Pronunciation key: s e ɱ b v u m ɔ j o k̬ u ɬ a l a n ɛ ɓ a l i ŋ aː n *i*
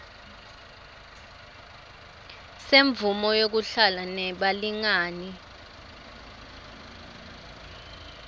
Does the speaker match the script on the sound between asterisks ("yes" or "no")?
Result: yes